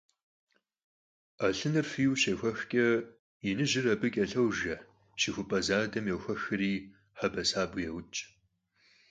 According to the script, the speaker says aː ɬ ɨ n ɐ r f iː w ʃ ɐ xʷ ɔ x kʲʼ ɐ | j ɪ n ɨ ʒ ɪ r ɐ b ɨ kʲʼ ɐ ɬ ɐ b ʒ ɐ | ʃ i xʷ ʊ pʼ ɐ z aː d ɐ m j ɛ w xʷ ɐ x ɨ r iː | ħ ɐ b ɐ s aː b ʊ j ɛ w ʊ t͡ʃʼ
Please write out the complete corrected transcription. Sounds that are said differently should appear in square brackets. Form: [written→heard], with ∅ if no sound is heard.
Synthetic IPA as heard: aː ɬ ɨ n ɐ r f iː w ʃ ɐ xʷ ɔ x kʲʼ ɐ | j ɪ n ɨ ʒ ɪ r ɐ b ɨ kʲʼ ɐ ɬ ɐ [b→w] ʒ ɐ | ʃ i xʷ ʊ pʼ ɐ z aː d ɐ m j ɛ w xʷ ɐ x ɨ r iː | ħ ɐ b ɐ s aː b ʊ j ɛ w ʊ t͡ʃʼ